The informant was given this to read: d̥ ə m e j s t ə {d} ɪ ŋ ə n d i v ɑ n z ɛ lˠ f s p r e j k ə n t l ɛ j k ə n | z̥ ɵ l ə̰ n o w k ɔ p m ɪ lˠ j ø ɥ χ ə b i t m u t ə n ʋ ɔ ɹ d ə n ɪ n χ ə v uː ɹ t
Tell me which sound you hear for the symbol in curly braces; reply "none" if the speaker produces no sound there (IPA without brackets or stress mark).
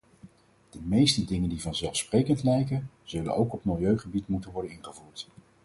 d